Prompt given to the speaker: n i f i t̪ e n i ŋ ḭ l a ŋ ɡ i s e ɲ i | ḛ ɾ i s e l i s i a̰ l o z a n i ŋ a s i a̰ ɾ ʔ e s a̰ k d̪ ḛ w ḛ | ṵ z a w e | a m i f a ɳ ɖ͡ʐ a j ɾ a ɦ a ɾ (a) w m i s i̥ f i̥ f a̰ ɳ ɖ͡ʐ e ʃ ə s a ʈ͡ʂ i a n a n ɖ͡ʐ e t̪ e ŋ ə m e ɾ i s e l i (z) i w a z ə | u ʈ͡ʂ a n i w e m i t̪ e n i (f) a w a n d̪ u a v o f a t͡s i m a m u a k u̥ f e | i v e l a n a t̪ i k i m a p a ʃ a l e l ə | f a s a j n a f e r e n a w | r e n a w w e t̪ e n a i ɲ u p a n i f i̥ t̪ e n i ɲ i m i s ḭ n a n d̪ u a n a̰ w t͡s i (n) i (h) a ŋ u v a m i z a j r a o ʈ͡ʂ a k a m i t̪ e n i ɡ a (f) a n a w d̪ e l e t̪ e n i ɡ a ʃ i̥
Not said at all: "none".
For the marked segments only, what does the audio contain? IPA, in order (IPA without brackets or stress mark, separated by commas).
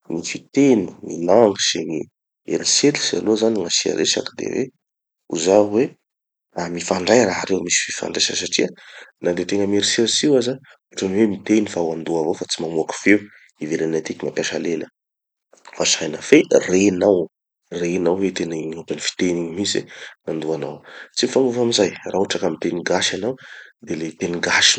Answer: e, s, f, m, f, ʃ